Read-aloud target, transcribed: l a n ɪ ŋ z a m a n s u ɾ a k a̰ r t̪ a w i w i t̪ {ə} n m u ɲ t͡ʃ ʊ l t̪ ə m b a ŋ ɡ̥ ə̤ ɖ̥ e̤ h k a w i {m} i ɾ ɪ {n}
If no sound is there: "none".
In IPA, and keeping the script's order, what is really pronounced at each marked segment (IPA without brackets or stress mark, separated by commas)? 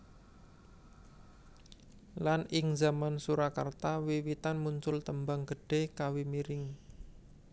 a, m, ŋ